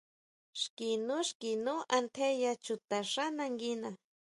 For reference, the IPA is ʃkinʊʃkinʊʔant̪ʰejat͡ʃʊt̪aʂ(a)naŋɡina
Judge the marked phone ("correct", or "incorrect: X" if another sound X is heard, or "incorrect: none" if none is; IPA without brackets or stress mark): correct